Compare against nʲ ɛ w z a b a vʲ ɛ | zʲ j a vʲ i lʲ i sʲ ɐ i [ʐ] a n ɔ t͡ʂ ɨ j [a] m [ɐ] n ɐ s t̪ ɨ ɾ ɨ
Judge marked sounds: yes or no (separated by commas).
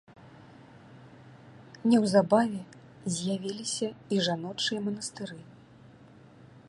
yes, no, yes